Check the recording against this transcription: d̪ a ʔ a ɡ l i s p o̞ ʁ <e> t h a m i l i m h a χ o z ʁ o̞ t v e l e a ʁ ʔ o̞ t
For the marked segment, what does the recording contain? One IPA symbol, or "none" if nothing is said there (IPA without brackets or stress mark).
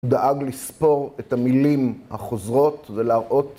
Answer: e